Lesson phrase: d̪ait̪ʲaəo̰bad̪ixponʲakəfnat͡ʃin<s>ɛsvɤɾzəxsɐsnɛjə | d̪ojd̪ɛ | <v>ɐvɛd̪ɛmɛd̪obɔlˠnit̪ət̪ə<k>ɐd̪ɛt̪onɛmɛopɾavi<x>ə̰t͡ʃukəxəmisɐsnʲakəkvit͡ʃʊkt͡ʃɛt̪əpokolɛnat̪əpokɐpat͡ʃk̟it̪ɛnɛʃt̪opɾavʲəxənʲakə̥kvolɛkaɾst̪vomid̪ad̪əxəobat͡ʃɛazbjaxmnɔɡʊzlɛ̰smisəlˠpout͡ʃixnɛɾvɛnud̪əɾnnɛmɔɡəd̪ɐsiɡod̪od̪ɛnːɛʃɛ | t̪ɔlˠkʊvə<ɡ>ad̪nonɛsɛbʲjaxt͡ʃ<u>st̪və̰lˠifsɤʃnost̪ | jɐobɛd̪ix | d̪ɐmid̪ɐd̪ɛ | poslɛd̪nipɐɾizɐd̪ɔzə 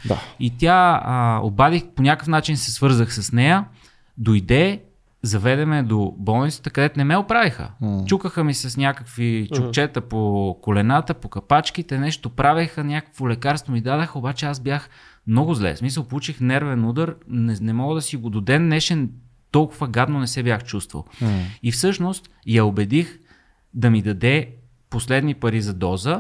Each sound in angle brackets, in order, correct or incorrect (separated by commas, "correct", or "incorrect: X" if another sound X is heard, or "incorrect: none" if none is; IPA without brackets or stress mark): correct, incorrect: z, correct, correct, correct, correct